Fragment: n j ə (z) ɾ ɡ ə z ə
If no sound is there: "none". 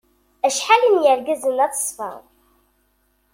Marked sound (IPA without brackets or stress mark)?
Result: none